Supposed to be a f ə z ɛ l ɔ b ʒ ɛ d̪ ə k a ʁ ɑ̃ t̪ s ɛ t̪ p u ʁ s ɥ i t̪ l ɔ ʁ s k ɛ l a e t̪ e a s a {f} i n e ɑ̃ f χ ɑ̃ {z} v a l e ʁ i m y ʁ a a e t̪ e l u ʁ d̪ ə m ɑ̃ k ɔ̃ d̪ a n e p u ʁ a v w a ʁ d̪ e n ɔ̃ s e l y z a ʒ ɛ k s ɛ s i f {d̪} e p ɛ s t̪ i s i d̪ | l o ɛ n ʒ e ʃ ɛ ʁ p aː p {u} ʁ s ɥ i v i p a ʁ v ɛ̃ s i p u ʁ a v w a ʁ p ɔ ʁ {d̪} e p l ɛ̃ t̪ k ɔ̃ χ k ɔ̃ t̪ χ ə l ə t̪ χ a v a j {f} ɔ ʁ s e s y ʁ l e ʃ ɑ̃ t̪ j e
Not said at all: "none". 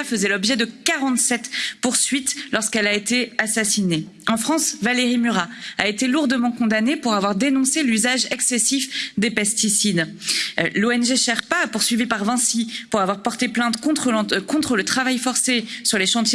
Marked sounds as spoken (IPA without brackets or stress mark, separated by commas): s, s, d̪, u, t̪, f